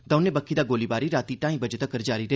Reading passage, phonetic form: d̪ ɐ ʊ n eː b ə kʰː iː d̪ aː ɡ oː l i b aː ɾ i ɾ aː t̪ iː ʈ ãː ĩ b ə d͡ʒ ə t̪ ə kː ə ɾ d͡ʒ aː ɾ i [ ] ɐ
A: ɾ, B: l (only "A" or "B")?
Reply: A